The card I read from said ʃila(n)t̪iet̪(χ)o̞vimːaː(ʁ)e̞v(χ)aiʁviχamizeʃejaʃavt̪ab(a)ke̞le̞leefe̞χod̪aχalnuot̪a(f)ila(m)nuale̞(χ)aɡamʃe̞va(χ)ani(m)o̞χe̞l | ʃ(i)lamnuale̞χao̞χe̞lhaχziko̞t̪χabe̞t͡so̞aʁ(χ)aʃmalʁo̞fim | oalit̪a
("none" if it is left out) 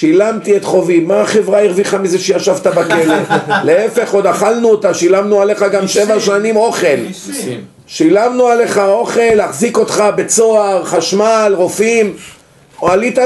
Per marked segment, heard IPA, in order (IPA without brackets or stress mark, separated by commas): m, χ, χ, ʁ, a, ʃ, m, χ, ʃ, m, i, χ